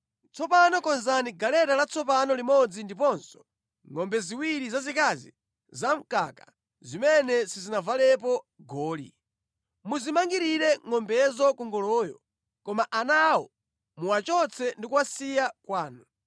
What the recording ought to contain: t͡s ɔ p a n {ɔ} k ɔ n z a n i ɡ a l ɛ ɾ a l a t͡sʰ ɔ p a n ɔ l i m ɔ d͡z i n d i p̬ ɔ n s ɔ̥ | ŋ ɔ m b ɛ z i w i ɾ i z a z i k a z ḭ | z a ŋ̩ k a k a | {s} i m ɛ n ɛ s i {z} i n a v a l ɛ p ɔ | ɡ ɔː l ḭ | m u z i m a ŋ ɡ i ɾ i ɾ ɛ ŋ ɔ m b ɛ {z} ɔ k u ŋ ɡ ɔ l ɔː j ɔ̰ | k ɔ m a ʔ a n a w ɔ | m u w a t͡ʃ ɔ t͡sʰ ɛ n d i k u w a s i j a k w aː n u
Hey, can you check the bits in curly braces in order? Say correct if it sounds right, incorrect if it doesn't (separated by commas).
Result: correct, incorrect, correct, correct